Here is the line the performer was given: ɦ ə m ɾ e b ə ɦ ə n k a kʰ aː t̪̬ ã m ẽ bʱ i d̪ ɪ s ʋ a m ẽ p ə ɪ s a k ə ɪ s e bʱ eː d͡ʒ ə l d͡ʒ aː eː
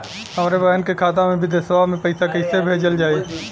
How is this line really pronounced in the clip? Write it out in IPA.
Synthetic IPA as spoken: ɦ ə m ɾ e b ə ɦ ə n k e kʰ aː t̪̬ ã m ẽ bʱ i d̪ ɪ s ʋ a m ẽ p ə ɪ s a k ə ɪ s e bʱ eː d͡ʒ ə l d͡ʒ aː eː